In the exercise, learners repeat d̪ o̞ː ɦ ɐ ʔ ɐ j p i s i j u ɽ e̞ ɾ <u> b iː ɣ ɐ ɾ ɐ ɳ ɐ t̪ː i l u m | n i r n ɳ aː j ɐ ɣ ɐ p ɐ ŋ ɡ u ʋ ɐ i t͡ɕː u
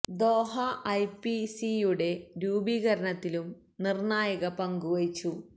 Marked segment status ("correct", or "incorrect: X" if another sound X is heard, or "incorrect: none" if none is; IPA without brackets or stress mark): incorrect: uː